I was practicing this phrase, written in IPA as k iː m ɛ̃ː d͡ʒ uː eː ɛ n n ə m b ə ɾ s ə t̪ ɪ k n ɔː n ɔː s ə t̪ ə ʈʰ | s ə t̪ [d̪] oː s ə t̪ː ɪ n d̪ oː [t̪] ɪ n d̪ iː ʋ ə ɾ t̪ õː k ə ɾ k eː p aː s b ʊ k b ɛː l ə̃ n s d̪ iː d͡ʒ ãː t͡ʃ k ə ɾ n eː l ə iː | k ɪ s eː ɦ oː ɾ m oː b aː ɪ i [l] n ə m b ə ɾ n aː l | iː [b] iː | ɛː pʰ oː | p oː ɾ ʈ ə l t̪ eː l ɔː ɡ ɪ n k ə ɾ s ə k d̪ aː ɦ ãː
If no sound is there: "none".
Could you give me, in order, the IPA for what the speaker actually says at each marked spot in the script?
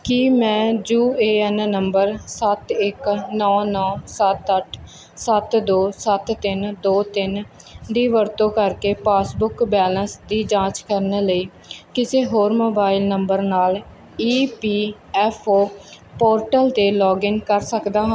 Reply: d̪, t̪, l, p

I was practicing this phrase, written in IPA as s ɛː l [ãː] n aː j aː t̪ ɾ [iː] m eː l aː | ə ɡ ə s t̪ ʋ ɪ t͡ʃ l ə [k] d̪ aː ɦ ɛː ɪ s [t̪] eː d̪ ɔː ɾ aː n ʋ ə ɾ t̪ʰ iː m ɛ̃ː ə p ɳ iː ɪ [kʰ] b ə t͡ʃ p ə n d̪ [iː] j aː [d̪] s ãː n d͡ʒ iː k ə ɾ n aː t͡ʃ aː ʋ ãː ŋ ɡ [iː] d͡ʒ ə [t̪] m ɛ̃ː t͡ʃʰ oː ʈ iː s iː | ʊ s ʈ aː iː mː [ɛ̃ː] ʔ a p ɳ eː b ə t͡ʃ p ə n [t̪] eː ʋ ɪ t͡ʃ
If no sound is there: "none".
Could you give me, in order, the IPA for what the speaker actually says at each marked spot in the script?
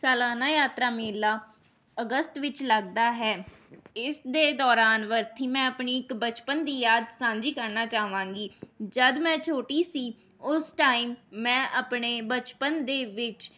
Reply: aː, aː, ɡ, d̪, k, iː, d̪, iː, d̪, ɛ̃ː, d̪

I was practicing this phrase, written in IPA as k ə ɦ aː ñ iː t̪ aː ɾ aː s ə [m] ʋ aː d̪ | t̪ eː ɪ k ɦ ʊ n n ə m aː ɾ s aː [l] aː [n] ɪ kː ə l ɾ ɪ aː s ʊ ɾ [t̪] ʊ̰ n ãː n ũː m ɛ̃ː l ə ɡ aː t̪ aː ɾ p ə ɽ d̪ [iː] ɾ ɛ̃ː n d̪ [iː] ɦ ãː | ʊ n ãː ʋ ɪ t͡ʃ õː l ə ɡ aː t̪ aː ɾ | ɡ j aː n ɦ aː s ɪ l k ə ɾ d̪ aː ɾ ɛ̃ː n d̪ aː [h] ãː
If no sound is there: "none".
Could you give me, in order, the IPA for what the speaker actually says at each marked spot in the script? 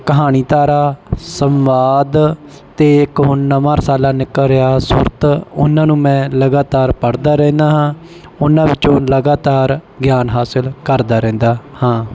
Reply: m, l, n, t̪, aː, aː, h

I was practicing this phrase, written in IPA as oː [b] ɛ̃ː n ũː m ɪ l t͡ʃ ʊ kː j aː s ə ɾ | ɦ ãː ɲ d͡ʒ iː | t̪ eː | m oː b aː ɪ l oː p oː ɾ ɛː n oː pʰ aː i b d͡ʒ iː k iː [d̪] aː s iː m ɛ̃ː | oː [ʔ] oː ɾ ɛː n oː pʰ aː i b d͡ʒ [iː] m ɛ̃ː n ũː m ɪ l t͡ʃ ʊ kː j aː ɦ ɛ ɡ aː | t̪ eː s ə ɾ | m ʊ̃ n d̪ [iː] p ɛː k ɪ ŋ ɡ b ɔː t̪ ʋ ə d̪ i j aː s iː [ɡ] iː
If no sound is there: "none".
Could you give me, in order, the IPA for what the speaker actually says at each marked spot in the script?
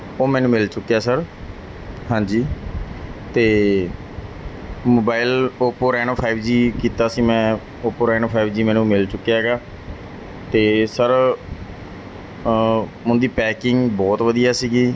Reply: m, t̪, p, iː, iː, ɡ

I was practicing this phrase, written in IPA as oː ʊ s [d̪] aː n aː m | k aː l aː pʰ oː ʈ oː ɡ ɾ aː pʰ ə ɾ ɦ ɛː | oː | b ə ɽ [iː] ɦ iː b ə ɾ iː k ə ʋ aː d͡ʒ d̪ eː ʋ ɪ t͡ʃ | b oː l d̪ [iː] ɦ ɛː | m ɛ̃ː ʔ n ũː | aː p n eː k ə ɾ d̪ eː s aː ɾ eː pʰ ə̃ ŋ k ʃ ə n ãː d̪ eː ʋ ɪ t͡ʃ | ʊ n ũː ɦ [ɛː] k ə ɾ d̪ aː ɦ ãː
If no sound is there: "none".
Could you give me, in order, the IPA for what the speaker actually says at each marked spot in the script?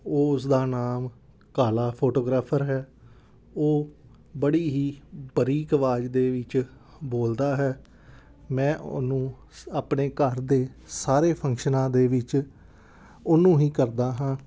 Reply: d̪, iː, aː, iː

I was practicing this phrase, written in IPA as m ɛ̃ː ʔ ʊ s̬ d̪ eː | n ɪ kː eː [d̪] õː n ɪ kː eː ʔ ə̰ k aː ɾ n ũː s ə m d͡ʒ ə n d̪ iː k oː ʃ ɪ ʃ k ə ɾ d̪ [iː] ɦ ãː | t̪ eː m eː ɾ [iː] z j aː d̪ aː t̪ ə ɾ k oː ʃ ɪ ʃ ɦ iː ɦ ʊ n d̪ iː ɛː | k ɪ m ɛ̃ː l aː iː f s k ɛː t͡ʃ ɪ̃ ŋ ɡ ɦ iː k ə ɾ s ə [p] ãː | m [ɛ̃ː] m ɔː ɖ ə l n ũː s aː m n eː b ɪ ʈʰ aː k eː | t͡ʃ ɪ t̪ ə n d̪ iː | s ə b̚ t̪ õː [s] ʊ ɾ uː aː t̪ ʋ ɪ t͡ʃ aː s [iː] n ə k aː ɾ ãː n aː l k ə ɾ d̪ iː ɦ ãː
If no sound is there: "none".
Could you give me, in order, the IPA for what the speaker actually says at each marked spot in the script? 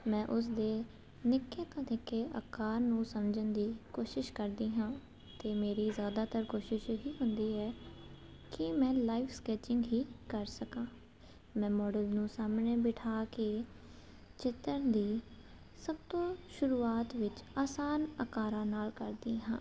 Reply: t̪, iː, iː, k, ɛ̃ː, ʃ, aː

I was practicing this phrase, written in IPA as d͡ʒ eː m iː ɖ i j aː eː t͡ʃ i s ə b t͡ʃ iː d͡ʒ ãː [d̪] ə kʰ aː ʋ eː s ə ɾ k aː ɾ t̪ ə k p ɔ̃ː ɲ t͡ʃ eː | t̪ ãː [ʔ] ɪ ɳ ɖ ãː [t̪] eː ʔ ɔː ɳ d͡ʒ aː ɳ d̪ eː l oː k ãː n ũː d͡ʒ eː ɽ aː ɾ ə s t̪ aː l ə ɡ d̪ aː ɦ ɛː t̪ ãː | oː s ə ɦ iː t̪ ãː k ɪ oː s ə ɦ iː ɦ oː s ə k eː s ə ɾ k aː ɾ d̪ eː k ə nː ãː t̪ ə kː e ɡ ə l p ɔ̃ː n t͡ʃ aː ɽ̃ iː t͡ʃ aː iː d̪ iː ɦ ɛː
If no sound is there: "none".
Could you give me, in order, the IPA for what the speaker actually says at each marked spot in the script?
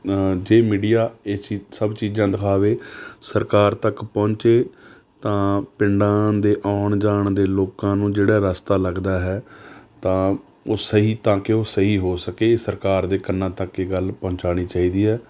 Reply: d̪, p, d̪

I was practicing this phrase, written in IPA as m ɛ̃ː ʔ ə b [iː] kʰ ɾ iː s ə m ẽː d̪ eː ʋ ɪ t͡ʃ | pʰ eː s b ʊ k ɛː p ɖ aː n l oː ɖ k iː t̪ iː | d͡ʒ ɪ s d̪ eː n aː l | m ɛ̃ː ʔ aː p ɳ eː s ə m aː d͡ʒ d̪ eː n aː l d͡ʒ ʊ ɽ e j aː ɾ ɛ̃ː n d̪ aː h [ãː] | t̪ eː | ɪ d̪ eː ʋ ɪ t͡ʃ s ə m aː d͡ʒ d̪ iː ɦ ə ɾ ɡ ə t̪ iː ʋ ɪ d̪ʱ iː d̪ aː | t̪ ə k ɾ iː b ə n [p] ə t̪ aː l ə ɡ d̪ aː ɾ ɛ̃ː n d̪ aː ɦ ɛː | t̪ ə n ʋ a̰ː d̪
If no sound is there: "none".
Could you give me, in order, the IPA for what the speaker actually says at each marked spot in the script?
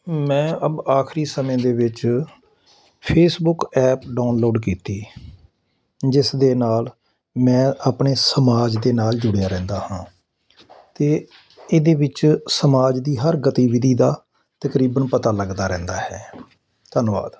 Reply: aː, ãː, p

